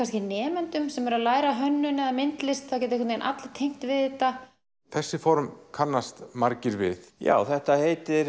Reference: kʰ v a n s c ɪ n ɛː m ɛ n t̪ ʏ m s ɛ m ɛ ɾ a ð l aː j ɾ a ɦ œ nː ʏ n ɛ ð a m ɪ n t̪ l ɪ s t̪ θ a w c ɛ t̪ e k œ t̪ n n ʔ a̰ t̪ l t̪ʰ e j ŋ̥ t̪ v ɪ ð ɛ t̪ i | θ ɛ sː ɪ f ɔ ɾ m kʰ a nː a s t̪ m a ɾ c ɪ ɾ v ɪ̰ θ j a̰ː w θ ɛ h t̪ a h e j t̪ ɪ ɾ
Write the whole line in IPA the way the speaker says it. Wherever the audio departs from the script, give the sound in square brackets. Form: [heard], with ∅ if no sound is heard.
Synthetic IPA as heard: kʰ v a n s c ɪ n ɛː m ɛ n t̪ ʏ m s ɛ m ɛ ɾ a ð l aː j ɾ a ɦ œ nː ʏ n ɛ ð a m ɪ n t̪ l ɪ s t̪ θ a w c ɛ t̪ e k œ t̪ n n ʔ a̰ t̪ l t̪ʰ e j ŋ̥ t̪ v ɪ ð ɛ t̪ [a] | θ ɛ sː ɪ f ɔ ɾ m kʰ a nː a s t̪ m a ɾ c ɪ ɾ v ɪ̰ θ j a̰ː w θ ɛ h t̪ a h e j t̪ ɪ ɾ